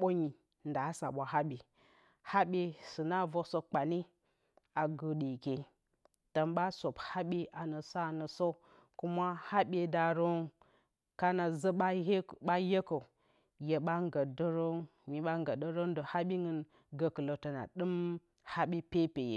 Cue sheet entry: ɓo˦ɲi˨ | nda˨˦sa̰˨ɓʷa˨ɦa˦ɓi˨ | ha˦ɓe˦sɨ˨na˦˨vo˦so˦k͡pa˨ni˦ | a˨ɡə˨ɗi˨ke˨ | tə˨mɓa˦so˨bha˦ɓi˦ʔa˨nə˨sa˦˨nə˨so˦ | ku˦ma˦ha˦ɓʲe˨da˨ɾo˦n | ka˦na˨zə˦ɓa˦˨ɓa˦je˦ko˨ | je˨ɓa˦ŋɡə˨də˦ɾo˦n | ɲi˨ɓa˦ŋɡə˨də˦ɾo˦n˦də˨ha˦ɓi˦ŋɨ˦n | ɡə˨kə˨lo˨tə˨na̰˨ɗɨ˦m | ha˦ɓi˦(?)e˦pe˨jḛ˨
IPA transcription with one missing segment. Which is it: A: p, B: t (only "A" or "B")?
A